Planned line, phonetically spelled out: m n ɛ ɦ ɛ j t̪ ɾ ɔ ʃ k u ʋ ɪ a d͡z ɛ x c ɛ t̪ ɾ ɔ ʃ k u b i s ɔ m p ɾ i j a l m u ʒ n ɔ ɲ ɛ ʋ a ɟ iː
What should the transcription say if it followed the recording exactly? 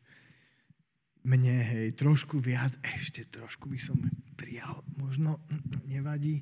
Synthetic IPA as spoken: m ɲ ɛ ɦ ɛ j t̪ ɾ ɔ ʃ k u ʋ ɪ a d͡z ɛ ʃ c ɛ t̪ ɾ ɔ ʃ k u b i s ɔ m p ɾ i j a l m ɔ ʒ n ɔ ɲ ɛ ʋ a ɟ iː